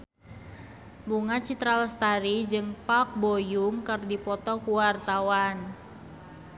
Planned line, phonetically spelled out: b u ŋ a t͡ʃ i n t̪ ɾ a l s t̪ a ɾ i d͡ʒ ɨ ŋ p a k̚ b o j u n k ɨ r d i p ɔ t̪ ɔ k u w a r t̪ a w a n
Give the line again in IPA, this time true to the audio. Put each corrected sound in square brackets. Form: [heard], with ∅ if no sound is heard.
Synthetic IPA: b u ŋ a t͡ʃ i [∅] t̪ ɾ a l s t̪ a ɾ i d͡ʒ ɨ ŋ p a k̚ b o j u [ŋ] k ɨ r d i p ɔ t̪ ɔ k u w a r t̪ a w a n